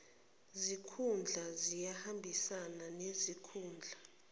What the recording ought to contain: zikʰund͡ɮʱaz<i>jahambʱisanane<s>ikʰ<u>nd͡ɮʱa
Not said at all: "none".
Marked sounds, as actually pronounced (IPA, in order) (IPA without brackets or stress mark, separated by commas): i, z, uː